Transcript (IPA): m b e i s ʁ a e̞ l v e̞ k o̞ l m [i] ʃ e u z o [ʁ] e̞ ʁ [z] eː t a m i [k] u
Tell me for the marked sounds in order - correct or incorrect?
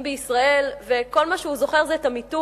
incorrect, incorrect, correct, incorrect

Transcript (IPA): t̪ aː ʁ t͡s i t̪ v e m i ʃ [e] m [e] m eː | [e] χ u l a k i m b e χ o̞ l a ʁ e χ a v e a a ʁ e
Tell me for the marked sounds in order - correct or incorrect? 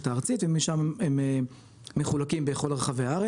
incorrect, correct, correct

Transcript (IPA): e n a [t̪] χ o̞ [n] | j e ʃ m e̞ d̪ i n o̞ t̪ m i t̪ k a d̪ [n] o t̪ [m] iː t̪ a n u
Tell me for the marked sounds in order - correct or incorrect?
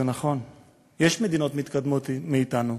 incorrect, correct, incorrect, correct

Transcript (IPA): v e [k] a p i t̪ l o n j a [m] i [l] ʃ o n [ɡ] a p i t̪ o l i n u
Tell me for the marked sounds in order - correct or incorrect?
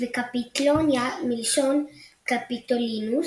correct, correct, correct, incorrect

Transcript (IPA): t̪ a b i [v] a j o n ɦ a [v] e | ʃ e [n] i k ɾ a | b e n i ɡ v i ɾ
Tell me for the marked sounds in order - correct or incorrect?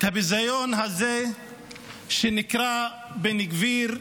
incorrect, incorrect, correct

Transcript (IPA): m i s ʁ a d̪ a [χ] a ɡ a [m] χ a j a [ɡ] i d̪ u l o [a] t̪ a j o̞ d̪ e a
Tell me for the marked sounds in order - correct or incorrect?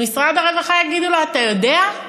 incorrect, incorrect, correct, correct

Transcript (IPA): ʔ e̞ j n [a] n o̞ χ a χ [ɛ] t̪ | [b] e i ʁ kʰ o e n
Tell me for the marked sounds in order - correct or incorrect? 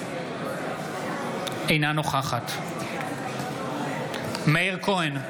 correct, incorrect, incorrect

